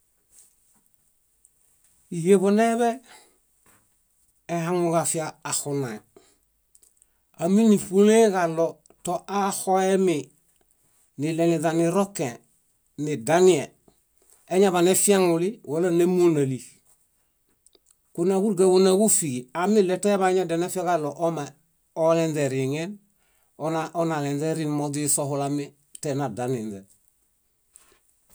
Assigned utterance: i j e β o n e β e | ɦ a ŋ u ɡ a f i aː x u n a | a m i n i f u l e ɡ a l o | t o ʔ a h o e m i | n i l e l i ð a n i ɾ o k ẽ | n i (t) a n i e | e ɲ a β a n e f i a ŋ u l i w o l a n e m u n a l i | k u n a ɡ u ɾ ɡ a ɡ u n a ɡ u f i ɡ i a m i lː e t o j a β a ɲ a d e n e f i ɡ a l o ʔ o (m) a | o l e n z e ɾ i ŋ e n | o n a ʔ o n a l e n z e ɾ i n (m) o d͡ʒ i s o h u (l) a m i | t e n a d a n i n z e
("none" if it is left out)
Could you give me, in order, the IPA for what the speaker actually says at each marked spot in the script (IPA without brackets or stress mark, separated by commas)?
d, m, m, l